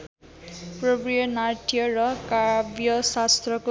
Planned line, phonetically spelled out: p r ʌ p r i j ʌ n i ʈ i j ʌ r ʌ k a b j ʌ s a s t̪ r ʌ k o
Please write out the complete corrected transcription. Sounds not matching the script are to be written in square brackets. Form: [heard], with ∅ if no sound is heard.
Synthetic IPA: p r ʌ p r i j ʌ n [a] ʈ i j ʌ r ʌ k a b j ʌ s a s t̪ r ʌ k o